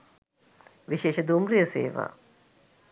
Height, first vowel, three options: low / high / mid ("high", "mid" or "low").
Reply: high